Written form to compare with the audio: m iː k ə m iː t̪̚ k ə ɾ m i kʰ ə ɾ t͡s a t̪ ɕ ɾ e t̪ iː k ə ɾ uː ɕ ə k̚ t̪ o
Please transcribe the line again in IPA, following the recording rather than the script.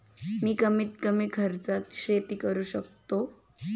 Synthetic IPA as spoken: m iː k ə m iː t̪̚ k ə m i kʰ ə ɾ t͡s a t̪ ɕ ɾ e t̪ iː k ə ɾ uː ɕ ə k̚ t̪ o